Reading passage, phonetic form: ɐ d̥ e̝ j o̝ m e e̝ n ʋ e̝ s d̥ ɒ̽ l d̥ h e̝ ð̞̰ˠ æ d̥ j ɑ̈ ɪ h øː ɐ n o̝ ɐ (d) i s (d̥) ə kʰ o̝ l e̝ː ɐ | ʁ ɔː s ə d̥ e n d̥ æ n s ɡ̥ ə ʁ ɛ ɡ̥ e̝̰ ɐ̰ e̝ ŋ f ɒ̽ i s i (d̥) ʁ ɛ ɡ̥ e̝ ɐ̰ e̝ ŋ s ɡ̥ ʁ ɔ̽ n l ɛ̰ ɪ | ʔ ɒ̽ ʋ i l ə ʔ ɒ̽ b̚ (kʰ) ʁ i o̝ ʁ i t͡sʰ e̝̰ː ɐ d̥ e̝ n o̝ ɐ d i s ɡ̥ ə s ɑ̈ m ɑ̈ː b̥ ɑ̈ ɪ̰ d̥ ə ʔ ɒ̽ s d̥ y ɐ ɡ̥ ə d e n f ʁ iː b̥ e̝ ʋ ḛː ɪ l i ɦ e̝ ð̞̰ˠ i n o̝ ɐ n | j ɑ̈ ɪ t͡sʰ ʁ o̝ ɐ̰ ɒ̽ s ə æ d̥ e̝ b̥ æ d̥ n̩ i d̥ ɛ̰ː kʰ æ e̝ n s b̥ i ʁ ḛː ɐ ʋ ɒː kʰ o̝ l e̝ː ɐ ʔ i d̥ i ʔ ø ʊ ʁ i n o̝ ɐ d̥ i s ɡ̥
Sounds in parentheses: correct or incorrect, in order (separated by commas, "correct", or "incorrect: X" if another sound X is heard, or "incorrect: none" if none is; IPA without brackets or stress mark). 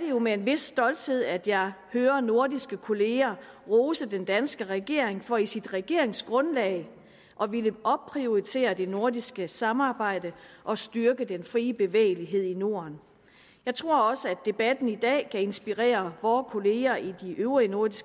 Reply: correct, incorrect: ɡ̥, correct, incorrect: pʰ